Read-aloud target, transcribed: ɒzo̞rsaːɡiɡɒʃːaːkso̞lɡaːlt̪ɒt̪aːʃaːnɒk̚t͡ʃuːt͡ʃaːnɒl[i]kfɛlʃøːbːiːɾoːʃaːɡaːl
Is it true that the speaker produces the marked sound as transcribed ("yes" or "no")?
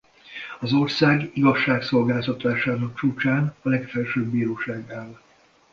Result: no